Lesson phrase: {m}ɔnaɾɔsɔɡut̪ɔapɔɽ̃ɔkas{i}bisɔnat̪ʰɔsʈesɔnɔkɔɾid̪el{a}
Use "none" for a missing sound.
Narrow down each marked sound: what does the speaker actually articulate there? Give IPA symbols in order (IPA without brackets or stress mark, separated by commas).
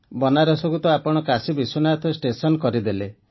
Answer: b, i, e